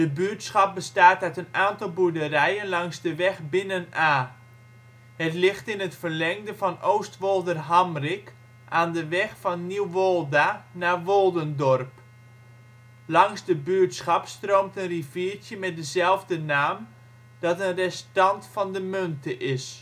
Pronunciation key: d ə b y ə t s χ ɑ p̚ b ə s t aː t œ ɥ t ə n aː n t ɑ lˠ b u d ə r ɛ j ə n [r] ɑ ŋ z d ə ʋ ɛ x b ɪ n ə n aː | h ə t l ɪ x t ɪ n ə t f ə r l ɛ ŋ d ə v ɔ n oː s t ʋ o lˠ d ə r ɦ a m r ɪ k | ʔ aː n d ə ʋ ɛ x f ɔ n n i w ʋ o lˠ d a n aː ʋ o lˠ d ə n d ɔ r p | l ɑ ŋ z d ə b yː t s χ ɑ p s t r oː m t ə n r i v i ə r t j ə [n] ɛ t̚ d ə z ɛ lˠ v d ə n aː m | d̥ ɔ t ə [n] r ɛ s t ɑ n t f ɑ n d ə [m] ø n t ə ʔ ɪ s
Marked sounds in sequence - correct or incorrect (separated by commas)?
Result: incorrect, incorrect, correct, correct